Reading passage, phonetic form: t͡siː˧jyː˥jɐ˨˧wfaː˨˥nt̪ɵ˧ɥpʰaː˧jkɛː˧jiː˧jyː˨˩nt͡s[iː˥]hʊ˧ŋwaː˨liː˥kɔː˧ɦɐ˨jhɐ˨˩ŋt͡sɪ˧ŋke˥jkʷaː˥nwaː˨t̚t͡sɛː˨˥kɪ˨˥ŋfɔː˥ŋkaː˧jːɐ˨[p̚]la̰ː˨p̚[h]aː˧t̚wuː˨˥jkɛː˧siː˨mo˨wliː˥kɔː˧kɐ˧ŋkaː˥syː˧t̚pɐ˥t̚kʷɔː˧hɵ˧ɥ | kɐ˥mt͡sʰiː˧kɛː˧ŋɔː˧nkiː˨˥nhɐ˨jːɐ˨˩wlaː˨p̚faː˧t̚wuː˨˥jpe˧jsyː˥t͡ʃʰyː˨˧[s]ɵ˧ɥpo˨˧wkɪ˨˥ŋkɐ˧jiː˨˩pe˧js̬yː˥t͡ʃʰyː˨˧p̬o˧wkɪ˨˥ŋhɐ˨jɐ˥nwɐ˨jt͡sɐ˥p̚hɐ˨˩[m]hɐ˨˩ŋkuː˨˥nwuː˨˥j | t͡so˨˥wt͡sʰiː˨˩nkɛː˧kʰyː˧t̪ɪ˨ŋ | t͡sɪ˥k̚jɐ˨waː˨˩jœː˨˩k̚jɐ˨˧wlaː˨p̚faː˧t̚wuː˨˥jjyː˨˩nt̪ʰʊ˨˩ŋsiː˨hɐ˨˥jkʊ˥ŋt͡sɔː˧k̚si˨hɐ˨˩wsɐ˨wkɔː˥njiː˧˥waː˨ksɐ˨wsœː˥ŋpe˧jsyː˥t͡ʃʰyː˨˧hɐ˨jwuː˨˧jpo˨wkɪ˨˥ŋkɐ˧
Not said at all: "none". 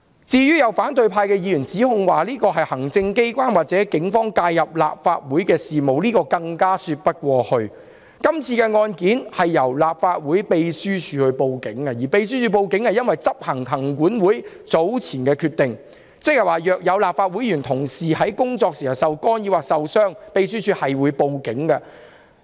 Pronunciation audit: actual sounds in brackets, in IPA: iː˨˥, p̚, f, h, ŋ

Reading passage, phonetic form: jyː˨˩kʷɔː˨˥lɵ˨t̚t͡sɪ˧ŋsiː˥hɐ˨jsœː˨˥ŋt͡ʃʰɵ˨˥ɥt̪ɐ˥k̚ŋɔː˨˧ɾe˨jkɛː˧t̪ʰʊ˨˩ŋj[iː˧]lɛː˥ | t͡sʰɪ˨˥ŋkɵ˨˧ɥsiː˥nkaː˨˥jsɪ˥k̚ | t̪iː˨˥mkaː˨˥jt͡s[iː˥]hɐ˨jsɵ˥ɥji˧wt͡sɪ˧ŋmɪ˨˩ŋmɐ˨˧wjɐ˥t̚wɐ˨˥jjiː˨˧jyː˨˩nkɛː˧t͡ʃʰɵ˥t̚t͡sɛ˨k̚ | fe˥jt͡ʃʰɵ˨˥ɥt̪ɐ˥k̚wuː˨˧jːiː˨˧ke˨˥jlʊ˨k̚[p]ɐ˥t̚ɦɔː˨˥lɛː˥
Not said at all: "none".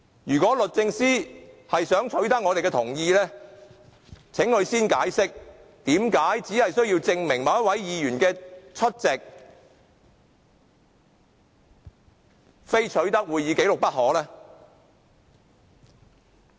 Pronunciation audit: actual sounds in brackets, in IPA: iː˧, iː˨˥, p

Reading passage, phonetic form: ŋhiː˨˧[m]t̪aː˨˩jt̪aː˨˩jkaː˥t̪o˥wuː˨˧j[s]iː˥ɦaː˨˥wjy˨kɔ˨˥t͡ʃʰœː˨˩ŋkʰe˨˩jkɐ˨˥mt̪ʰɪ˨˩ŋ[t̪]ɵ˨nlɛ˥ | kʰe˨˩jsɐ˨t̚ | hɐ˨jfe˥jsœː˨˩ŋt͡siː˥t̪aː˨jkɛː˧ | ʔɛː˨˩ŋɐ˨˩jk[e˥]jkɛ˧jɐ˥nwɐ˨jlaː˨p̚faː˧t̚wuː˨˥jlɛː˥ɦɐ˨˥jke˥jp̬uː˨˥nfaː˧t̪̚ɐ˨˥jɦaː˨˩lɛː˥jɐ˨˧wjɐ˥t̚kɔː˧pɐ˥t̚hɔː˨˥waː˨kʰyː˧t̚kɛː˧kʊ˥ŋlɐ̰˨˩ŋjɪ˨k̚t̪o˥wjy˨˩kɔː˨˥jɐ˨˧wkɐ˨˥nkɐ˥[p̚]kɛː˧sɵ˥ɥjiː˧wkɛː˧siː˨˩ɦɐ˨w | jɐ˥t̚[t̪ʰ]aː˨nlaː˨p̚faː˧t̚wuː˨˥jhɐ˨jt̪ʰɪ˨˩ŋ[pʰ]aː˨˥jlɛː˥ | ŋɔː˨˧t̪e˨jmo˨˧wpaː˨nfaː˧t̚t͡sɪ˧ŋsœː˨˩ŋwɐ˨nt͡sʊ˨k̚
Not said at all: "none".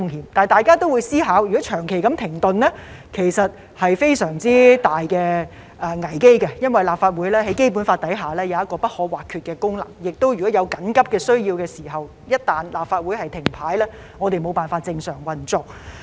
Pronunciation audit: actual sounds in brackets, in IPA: m, s, t̪, e˥, p̚, t̪, pʰ

